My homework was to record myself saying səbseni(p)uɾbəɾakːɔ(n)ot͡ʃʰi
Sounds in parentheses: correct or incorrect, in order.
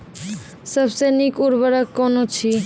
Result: incorrect: k, correct

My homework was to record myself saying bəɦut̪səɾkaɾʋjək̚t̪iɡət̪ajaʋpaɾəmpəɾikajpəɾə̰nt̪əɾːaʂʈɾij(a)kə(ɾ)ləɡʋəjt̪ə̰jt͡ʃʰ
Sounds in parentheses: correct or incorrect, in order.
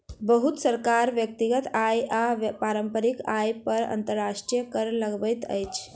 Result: incorrect: ə, correct

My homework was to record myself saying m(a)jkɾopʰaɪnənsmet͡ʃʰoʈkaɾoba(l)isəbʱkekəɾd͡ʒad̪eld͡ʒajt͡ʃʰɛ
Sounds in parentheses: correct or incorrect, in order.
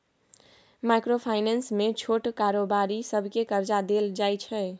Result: correct, incorrect: ɾ

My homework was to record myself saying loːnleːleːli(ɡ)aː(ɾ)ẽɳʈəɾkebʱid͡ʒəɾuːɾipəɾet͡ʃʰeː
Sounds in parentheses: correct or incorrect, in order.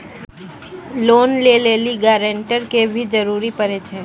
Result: correct, correct

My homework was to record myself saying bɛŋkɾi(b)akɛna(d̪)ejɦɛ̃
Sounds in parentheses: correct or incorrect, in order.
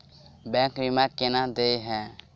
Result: incorrect: m, correct

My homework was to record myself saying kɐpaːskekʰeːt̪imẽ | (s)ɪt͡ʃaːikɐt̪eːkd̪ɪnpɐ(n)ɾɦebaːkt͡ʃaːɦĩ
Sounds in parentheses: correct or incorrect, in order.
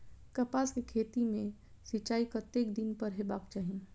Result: correct, incorrect: none

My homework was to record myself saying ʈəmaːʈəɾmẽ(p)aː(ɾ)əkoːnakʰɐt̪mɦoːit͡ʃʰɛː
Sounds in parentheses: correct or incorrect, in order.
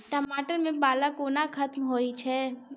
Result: incorrect: b, incorrect: l

